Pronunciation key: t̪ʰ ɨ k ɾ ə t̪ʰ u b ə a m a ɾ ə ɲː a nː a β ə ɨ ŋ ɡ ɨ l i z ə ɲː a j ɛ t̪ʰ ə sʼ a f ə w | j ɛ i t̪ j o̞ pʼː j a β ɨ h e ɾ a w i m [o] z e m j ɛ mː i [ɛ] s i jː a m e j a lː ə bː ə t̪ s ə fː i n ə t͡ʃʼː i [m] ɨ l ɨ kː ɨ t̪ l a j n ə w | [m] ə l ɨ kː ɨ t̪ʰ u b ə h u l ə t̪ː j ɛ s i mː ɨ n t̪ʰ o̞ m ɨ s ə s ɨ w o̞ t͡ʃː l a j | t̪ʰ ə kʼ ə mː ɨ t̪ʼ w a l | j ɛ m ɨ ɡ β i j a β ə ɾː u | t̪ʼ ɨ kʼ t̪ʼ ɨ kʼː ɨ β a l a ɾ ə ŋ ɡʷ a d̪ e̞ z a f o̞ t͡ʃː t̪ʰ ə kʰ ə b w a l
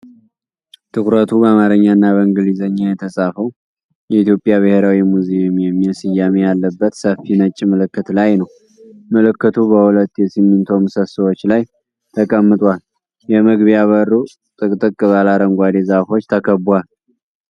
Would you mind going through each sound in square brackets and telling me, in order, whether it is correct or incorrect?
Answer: incorrect, correct, correct, correct

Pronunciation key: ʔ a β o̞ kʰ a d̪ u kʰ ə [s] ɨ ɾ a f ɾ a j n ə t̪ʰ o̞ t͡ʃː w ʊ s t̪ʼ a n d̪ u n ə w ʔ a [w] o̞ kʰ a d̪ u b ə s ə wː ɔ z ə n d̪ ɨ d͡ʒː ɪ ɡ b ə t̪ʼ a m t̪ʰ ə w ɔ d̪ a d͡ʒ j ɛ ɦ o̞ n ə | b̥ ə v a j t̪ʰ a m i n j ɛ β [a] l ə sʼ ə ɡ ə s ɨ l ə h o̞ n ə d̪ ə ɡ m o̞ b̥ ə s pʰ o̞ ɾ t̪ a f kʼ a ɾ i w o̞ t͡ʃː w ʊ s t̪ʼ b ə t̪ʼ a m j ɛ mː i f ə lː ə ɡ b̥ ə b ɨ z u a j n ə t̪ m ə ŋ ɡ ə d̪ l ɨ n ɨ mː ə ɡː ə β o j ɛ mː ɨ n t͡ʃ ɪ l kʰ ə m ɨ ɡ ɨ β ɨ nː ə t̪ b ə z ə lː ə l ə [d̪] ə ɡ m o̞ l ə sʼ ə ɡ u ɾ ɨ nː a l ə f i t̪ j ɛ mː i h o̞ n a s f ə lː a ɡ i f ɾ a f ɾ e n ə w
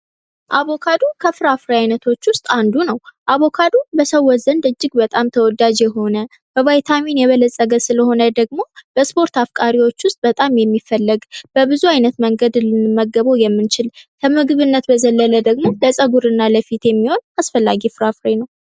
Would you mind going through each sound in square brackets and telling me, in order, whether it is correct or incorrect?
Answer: incorrect, incorrect, incorrect, correct

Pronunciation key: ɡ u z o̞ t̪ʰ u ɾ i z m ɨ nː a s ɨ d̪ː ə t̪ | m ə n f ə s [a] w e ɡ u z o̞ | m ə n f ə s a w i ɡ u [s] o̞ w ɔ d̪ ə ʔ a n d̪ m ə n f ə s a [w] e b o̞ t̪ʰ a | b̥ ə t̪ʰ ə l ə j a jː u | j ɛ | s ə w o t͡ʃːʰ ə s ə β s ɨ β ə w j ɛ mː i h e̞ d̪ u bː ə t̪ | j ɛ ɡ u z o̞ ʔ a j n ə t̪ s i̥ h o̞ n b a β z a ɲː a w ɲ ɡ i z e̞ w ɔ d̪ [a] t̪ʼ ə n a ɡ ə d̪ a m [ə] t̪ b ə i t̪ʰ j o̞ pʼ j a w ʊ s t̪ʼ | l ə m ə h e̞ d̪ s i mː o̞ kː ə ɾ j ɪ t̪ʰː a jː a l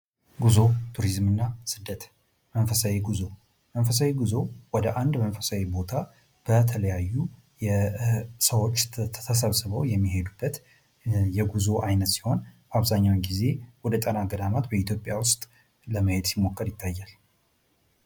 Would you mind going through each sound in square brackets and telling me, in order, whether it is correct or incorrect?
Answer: correct, incorrect, correct, incorrect, incorrect

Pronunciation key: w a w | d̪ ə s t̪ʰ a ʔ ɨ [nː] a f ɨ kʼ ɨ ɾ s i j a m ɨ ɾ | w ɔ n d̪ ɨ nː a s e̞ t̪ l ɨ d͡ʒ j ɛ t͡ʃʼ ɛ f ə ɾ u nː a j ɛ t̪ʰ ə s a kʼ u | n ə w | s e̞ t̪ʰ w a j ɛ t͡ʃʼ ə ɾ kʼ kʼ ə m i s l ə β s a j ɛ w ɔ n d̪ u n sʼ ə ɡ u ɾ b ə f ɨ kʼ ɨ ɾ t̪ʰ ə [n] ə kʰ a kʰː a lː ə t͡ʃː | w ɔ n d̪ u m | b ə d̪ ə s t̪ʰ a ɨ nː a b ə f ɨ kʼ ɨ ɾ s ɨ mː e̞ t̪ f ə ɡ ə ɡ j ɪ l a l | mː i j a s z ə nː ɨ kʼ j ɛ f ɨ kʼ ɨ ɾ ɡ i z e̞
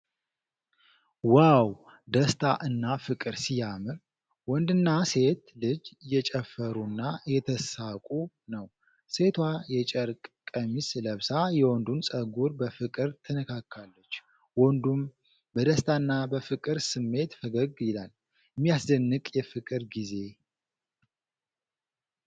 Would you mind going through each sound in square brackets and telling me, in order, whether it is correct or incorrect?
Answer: correct, correct

